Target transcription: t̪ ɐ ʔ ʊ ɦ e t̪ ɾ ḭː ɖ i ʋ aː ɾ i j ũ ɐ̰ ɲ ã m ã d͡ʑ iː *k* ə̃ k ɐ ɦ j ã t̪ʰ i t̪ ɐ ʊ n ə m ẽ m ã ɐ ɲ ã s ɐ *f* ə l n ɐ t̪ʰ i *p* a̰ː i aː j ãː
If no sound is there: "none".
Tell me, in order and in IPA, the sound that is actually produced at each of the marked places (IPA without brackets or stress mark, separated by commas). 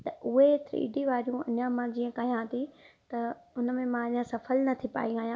none, f, p